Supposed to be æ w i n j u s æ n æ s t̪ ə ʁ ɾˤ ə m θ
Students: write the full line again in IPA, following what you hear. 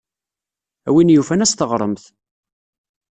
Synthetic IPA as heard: æ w i n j u f æ n æ s t̪ ə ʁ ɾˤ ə m θ